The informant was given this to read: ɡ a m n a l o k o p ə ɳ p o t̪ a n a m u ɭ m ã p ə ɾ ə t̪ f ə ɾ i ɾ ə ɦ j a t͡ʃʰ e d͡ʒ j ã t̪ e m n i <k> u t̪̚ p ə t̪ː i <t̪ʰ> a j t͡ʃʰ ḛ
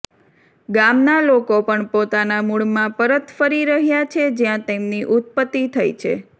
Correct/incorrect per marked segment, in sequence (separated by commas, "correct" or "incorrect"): incorrect, correct